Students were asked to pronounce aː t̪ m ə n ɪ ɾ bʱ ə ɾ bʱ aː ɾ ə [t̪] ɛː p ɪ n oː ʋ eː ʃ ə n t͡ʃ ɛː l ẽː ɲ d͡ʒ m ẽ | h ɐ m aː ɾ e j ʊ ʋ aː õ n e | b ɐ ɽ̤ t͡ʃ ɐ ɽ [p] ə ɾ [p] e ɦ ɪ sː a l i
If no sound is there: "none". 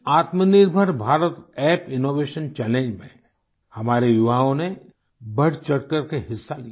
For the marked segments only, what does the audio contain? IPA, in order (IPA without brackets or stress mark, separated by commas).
t̪, k, k